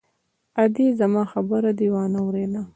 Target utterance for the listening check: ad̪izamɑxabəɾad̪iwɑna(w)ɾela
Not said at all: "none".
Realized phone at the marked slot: w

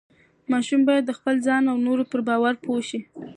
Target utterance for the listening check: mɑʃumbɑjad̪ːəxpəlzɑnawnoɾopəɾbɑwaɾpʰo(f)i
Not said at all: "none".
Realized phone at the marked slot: ʃ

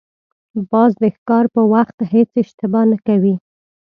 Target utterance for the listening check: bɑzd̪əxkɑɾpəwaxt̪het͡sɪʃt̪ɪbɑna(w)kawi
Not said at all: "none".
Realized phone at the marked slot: none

